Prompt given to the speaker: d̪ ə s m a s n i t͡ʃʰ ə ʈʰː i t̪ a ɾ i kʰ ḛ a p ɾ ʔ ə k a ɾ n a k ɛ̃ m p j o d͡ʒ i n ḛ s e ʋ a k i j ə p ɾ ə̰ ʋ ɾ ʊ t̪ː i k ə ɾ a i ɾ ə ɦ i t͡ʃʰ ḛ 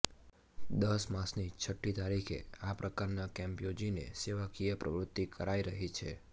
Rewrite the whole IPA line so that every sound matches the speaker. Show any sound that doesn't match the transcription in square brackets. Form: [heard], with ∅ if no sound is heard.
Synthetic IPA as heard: d̪ ə s m a s n i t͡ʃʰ ə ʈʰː i t̪ a ɾ i kʰ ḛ a p ɾ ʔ ə k a ɾ n a k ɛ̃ m p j o d͡ʒ i n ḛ s e ʋ a k i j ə p ɾ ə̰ ʋ ɾ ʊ t̪ː i k ə ɾ a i ɾ ə ɦ i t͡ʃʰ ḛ